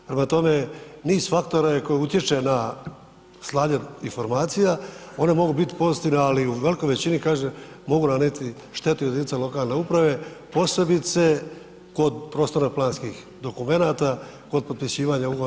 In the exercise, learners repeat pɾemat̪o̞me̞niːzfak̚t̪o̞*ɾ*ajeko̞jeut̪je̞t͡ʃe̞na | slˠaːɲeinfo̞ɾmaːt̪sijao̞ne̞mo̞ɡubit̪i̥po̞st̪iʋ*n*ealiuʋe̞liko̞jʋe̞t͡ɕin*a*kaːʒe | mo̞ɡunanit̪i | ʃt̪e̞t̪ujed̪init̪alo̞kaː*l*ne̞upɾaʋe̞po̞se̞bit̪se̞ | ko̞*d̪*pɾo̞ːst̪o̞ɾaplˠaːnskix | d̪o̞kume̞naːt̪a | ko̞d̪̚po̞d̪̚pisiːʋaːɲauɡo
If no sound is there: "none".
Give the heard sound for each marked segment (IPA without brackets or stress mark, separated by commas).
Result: ɾ, n, i, l, d̪